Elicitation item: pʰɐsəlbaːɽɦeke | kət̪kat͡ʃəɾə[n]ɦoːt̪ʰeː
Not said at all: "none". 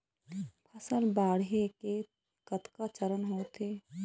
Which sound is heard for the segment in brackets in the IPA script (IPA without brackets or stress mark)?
n